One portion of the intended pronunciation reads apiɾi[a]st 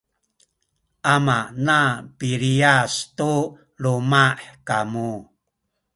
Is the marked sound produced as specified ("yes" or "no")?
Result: yes